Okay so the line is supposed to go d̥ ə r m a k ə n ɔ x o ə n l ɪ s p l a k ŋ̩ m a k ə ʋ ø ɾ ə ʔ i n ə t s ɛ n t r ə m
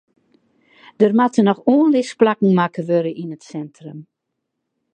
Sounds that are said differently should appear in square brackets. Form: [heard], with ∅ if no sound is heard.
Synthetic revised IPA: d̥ ə r m a [t] ə n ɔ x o ə n l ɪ s p l a k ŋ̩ m a k ə ʋ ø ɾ ə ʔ i n ə t s ɛ n t r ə m